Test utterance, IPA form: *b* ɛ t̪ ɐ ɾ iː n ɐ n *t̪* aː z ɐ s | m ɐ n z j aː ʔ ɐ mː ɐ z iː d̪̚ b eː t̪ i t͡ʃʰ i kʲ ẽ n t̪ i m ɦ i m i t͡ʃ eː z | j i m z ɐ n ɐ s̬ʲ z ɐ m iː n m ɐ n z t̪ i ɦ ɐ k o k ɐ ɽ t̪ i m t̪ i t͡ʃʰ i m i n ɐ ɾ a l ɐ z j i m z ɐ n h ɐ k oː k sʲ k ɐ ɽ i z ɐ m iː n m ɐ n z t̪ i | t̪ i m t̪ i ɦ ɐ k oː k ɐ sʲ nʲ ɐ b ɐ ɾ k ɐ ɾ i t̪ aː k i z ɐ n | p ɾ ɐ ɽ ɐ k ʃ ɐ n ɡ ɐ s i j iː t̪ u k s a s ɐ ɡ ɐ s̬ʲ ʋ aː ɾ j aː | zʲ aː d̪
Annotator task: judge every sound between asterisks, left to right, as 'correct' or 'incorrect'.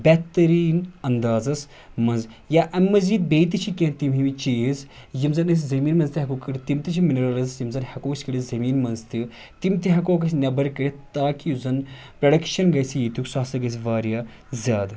correct, incorrect

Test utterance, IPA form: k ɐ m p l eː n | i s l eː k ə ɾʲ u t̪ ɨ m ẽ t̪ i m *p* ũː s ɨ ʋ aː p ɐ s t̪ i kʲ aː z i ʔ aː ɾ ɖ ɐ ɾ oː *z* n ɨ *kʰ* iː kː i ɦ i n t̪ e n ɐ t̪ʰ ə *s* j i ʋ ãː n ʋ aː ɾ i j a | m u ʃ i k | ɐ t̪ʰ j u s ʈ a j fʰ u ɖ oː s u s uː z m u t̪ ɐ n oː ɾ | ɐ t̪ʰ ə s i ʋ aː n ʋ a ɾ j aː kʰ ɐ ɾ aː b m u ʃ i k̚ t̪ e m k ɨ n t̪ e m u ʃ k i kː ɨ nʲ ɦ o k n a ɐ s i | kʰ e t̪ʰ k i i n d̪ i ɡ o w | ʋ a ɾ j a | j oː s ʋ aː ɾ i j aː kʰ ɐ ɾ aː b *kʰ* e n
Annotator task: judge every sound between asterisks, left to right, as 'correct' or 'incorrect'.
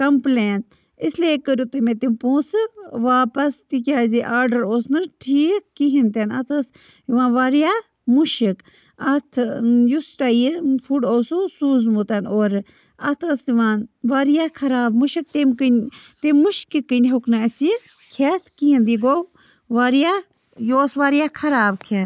correct, incorrect, incorrect, correct, correct

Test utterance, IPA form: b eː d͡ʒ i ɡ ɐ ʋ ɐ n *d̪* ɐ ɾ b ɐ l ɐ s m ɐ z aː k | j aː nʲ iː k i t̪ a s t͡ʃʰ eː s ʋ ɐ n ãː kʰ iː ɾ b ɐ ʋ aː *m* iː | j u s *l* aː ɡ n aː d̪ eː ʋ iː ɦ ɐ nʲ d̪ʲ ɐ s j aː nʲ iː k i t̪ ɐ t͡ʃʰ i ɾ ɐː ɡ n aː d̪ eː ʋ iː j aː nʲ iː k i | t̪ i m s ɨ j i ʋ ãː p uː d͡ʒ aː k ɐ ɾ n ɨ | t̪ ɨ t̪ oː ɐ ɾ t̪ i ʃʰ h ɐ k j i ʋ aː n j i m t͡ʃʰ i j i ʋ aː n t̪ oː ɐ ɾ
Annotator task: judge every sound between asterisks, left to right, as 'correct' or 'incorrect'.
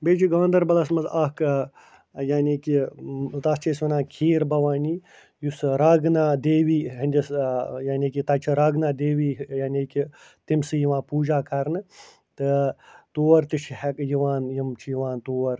correct, incorrect, incorrect

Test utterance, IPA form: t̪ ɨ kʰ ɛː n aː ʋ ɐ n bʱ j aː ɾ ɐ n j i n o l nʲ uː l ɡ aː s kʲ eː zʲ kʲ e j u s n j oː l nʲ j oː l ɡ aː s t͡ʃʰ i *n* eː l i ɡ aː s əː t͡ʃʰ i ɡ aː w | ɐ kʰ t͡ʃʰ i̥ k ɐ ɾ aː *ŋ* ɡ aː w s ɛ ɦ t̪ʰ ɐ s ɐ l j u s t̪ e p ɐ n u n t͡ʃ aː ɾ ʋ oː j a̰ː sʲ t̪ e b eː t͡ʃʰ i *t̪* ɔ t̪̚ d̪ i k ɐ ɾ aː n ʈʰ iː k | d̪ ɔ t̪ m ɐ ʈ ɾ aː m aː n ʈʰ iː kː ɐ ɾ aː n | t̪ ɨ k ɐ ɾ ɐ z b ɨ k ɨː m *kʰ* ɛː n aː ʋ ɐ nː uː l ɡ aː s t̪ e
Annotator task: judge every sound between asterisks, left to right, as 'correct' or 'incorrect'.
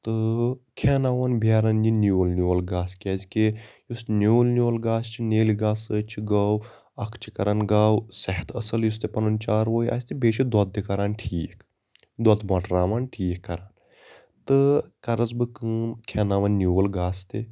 correct, incorrect, incorrect, correct

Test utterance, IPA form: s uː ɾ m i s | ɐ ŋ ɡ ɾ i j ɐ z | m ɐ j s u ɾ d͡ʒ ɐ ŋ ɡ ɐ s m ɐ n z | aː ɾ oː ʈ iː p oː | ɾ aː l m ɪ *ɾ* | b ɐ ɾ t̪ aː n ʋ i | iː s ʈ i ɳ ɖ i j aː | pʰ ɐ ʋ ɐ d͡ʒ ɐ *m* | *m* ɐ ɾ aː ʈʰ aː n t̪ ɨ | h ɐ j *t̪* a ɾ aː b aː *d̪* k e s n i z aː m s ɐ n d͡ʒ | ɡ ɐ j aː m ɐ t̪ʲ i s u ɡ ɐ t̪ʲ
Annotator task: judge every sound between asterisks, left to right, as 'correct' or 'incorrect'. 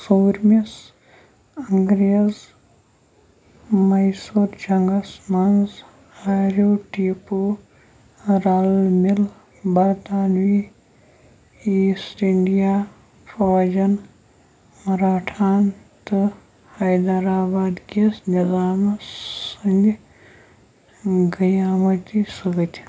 incorrect, incorrect, correct, incorrect, correct

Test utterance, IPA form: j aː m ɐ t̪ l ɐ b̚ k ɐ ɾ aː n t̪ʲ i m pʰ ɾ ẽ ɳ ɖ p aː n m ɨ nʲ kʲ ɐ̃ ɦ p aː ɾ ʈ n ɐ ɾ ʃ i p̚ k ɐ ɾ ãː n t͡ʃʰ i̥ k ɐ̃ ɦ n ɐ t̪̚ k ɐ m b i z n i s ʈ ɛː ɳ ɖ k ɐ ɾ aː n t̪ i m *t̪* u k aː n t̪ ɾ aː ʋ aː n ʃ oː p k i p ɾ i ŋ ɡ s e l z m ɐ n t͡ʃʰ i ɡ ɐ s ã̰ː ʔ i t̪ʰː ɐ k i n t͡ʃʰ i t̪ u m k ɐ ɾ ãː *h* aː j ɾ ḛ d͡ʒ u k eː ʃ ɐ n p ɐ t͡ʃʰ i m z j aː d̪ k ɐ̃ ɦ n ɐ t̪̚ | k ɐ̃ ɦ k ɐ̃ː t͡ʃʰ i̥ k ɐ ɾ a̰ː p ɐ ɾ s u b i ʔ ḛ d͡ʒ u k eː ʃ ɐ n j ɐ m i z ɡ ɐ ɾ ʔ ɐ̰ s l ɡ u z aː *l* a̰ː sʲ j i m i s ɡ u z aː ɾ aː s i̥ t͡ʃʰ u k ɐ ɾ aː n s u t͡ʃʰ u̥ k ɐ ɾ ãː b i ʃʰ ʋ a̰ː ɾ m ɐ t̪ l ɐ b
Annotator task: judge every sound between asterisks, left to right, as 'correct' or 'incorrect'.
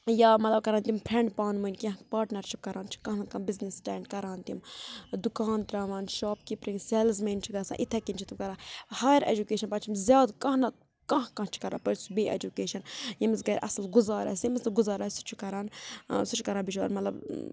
incorrect, correct, incorrect

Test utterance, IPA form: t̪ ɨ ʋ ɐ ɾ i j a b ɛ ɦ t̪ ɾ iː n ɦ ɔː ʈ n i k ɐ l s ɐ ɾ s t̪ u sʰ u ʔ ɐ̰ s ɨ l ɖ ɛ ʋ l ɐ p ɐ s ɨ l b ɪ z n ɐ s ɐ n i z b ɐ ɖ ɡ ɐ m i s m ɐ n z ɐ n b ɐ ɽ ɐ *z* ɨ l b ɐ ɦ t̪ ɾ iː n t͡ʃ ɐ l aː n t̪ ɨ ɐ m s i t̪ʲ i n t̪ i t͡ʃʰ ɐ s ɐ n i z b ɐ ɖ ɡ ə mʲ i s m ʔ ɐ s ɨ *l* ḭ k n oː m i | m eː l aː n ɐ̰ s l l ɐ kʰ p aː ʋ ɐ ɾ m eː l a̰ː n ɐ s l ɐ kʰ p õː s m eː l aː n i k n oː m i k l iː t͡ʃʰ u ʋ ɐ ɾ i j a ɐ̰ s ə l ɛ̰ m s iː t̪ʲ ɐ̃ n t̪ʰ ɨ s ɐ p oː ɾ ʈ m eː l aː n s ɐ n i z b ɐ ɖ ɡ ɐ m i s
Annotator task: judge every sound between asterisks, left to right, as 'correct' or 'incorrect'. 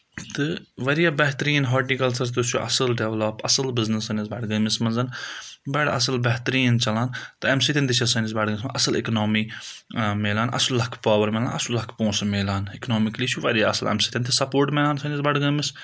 incorrect, correct

